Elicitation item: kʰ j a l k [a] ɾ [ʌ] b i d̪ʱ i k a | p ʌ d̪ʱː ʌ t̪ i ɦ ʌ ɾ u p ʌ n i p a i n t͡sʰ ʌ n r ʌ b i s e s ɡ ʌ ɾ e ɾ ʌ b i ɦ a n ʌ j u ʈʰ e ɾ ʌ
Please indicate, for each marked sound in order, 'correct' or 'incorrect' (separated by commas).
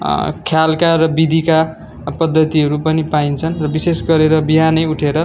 correct, correct